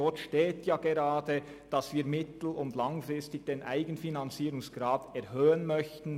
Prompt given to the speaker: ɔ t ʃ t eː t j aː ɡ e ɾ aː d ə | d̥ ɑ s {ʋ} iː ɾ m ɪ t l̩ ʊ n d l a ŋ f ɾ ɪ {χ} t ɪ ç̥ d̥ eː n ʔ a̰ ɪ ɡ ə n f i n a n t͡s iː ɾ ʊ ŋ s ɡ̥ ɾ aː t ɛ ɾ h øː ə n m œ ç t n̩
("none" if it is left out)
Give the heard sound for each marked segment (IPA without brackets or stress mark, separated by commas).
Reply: v, s